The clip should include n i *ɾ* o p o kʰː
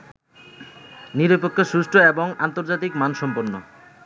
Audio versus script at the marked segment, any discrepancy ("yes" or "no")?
no